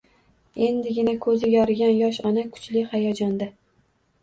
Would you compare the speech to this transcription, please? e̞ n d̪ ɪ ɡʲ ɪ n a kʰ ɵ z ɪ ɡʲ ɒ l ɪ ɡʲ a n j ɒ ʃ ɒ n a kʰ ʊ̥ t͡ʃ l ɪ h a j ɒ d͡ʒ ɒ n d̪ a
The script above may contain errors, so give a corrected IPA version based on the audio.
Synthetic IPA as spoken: e̞ n d̪ ɪ ɡʲ ɪ n a kʰ ɵ z ɪ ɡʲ ɒ ɾ ɪ ɡʲ a n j ɒ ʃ ɒ n a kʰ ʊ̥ t͡ʃ l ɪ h a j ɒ d͡ʒ ɒ n d̪ a